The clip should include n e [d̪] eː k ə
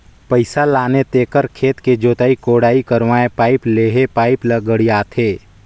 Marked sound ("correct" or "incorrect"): incorrect